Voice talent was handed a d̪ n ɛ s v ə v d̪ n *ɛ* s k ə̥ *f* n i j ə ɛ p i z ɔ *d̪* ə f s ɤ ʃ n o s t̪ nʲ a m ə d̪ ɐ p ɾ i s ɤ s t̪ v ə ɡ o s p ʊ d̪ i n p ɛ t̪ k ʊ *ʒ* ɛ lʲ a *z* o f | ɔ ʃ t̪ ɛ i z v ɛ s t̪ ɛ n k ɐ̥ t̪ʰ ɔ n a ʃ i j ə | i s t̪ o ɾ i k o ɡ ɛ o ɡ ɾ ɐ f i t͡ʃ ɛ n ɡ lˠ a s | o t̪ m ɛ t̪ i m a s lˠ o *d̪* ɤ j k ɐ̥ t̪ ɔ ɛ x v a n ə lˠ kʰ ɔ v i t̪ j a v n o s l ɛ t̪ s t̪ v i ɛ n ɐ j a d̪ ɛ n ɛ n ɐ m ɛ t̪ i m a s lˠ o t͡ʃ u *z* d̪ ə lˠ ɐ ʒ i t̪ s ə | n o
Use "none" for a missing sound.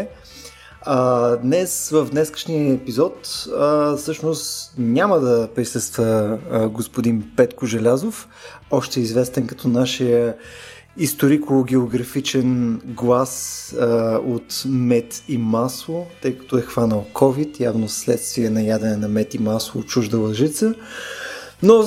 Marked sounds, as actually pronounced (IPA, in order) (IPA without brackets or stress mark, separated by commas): ɛ, ʃ, t̪, ʒ, z, t̪, ʒ